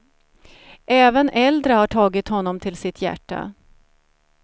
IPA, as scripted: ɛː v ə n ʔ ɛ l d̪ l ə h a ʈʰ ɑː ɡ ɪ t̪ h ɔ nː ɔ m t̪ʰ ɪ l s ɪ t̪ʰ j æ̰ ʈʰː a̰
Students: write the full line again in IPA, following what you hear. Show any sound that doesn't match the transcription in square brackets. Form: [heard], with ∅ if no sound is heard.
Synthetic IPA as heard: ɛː v ə n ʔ ɛ l d̪ [ɾ] ə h a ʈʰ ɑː ɡ ɪ t̪ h ɔ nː ɔ m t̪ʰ ɪ l s ɪ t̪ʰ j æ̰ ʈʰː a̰